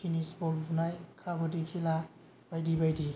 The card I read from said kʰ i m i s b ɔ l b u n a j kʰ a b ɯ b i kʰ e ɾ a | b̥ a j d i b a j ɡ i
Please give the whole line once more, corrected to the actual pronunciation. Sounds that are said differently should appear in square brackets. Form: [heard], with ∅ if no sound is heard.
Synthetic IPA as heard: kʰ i [n] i s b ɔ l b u n a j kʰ a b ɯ [d] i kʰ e [l] a | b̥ a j d i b a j [d] i